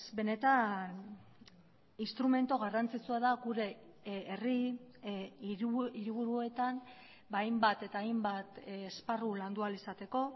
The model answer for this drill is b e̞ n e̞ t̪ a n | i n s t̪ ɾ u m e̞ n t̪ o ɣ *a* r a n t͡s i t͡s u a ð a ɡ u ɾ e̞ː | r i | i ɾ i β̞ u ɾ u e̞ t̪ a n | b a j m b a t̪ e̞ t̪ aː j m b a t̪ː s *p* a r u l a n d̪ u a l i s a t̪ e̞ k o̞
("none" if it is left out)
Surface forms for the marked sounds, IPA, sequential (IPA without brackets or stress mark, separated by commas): a, p